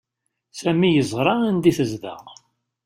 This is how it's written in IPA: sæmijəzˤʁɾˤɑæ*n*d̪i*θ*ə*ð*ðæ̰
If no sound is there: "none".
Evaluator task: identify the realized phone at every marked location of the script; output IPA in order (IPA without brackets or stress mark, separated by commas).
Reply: n, θ, z